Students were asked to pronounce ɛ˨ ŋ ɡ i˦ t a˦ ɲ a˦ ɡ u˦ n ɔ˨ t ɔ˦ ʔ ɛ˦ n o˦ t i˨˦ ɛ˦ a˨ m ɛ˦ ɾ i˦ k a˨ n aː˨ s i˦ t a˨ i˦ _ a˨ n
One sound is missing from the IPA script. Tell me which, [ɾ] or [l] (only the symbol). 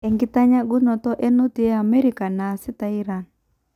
ɾ